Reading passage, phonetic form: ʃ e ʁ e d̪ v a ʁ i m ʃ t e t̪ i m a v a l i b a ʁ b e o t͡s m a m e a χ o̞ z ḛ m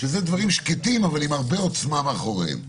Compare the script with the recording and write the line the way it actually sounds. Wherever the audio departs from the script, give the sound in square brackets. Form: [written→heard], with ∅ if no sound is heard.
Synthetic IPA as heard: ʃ e [ʁ→z] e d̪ v a ʁ i m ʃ [t→k] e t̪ i m a v a l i [b→m] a ʁ b e o t͡s m a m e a χ o̞ [z→ʁ] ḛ m